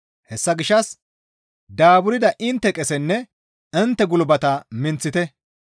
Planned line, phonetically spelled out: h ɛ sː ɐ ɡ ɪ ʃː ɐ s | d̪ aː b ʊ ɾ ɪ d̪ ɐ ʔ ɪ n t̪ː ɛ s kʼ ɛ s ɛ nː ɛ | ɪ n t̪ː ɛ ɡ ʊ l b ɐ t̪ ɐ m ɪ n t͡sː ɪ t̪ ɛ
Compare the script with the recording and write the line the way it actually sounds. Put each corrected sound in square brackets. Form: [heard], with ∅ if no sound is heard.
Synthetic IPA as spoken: h ɛ sː ɐ ɡ ɪ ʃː ɐ s | d̪ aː b ʊ ɾ ɪ d̪ ɐ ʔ ɪ n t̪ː ɛ [∅] kʼ ɛ s ɛ nː ɛ | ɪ n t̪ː ɛ ɡ ʊ l b ɐ t̪ ɐ m ɪ n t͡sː ɪ t̪ ɛ